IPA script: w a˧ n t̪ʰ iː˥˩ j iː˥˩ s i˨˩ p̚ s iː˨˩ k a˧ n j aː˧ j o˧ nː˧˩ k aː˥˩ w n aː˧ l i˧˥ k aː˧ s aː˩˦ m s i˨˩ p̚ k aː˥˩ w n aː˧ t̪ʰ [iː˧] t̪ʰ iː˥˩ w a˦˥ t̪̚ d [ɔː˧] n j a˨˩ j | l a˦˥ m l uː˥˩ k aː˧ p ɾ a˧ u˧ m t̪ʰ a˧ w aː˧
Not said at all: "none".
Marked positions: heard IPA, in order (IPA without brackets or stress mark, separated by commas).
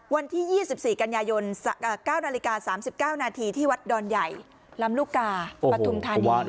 iː˧, ɔː˧